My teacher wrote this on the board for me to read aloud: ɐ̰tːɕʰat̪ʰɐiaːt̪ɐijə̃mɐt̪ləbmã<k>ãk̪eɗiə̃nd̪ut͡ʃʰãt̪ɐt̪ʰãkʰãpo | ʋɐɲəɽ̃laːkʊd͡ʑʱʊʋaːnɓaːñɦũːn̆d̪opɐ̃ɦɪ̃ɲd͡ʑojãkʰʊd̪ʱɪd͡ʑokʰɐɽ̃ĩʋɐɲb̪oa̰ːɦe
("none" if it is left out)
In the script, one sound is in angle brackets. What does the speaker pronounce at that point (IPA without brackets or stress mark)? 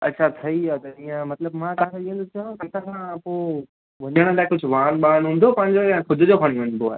k